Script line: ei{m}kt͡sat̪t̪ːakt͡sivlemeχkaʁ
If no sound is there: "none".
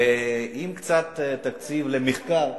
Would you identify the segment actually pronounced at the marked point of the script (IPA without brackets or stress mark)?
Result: m